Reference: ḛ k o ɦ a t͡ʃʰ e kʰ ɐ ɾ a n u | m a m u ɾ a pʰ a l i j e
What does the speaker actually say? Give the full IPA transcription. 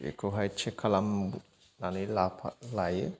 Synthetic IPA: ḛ k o ɦ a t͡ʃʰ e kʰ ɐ l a m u | n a n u l a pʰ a l a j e